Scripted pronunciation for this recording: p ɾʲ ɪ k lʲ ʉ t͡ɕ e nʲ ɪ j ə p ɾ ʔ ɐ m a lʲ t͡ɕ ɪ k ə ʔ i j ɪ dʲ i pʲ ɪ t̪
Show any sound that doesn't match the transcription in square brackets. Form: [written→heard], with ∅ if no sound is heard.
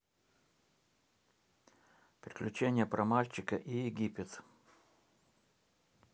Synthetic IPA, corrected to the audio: p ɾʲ ɪ k lʲ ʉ t͡ɕ e nʲ ɪ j ə p ɾ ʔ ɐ m a lʲ t͡ɕ ɪ k ə ʔ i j ɪ [dʲ→ɡʲ] i pʲ ɪ t̪